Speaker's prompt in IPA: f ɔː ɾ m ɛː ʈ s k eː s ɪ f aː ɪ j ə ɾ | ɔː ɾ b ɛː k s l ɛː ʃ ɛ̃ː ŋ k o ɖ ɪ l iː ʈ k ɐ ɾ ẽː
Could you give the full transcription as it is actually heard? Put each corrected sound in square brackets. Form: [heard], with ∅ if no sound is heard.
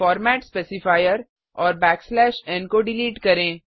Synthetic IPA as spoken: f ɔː ɾ m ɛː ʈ s [p] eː s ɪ f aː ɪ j ə ɾ | ɔː ɾ b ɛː k s l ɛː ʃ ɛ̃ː [n] k o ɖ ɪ l iː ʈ k ɐ ɾ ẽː